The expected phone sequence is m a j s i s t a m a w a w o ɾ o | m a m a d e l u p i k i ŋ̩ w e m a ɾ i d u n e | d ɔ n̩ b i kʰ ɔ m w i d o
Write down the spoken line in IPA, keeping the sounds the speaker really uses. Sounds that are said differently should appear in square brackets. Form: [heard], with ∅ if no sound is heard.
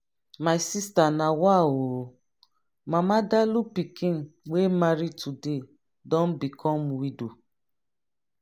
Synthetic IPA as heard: m a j s i s t a [n] a w a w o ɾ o | m a m a d [a] l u p i k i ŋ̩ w e m a ɾ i [t] u [d] e | d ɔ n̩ b i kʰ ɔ m w i d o